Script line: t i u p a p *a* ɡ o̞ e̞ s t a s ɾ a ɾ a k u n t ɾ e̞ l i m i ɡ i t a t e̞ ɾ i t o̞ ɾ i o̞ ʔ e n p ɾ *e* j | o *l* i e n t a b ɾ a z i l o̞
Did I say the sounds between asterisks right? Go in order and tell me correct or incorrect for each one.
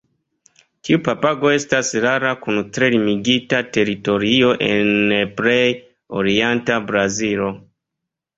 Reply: correct, correct, incorrect: ɾ

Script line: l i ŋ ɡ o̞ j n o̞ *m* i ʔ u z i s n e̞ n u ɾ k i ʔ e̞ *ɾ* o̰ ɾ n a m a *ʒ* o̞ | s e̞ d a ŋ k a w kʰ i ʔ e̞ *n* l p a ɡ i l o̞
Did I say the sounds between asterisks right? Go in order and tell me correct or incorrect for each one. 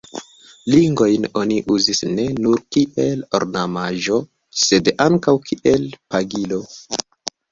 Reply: incorrect: n, incorrect: l, correct, incorrect: none

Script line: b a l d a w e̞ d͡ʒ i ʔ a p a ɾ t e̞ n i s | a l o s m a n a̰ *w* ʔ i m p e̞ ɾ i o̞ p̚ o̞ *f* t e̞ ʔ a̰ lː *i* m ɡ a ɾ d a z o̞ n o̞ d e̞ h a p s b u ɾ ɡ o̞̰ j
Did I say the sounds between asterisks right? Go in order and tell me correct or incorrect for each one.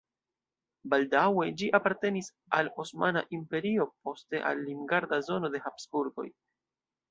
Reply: incorrect: none, incorrect: s, correct

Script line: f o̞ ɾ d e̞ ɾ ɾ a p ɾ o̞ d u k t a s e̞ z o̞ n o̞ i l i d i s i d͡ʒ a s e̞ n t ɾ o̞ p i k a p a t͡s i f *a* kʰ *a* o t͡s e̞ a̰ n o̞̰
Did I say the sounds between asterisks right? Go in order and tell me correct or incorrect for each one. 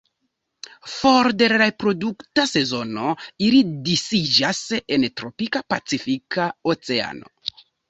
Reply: incorrect: i, correct

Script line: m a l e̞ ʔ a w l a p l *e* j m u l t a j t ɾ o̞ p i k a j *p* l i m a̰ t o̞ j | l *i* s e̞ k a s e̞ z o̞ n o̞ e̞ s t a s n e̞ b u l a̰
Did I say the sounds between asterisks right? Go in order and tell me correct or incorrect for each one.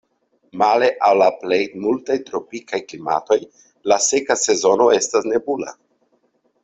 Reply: correct, incorrect: k, incorrect: a

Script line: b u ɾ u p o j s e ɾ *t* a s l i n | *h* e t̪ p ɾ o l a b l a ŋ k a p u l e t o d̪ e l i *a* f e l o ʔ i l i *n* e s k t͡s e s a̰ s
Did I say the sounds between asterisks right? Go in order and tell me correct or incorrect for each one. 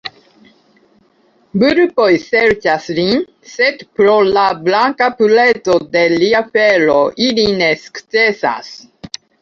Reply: incorrect: t͡ʃ, incorrect: s, correct, correct

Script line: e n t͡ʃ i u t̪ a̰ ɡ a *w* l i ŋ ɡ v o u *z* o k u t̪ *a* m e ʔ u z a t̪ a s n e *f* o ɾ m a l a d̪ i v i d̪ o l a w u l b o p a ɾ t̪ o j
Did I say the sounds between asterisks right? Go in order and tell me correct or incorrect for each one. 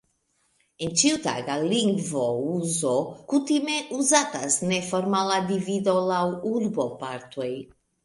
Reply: incorrect: none, correct, incorrect: i, correct

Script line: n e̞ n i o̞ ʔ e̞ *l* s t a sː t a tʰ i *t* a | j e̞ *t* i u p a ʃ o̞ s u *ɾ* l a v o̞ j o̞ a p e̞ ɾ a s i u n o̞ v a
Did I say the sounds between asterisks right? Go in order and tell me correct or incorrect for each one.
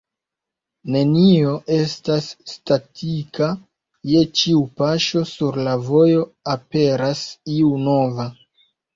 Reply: incorrect: none, incorrect: k, incorrect: t͡ʃ, correct

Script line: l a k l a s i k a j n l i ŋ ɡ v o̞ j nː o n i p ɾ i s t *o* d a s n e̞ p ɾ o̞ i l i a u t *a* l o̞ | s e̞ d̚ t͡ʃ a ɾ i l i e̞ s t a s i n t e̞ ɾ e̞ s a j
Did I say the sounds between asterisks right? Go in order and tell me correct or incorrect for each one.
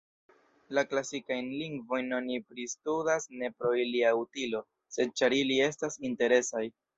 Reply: incorrect: u, incorrect: i

